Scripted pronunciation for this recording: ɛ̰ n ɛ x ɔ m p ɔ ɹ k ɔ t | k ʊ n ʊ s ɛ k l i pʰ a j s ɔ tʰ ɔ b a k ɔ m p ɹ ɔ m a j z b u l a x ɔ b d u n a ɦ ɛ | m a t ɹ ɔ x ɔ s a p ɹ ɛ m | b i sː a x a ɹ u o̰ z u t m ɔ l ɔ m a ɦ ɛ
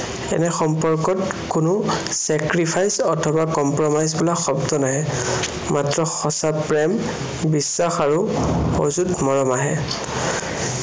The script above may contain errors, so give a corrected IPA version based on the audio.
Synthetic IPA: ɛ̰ n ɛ x ɔ m p ɔ ɹ k ɔ t | k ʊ n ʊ s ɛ k ɹ i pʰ a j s ɔ tʰ ɔ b a k ɔ m p ɹ ɔ m a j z b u l a x ɔ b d ɔ n a ɦ ɛ | m a t ɹ ɔ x ɔ s a p ɹ ɛ m | b i sː a x a ɹ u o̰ z u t m ɔ ɹ ɔ m a ɦ ɛ